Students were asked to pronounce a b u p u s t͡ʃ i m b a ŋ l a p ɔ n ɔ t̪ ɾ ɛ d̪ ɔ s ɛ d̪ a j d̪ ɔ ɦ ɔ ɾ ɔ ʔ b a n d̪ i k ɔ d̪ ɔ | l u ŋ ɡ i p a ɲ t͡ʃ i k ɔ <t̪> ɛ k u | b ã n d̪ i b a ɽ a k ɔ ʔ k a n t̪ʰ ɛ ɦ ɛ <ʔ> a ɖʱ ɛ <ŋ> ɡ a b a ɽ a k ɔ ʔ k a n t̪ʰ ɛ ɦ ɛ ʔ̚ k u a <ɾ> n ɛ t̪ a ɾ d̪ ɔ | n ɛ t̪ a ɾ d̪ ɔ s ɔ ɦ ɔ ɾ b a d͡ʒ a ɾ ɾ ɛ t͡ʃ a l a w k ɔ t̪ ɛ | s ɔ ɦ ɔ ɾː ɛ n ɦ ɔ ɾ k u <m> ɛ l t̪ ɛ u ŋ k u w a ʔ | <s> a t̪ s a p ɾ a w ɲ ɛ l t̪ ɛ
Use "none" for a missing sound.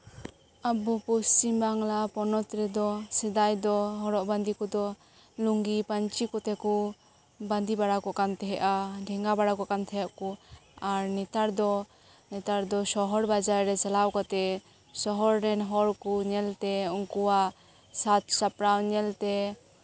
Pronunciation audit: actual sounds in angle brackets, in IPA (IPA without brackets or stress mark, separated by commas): t̪, ʔ, ŋ, ɾ, ɲ, s